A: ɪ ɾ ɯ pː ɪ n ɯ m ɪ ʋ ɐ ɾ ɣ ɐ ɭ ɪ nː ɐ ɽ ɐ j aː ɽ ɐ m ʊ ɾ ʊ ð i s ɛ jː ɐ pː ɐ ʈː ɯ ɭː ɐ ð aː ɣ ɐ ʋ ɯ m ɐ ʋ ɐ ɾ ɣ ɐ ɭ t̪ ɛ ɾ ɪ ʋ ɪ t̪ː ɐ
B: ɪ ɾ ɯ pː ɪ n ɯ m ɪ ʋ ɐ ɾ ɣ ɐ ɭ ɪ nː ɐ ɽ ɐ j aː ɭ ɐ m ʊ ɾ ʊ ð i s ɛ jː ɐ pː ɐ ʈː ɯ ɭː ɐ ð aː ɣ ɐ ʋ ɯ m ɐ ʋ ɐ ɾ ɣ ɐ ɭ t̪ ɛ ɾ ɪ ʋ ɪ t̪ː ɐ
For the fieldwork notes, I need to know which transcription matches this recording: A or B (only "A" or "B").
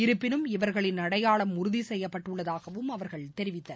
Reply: B